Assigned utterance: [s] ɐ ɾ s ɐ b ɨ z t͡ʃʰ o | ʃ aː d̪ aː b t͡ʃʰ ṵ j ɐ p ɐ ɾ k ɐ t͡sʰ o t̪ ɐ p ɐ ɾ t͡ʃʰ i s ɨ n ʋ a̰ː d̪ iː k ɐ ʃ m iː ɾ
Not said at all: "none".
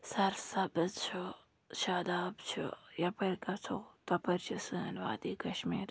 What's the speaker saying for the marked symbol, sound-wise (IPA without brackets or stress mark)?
s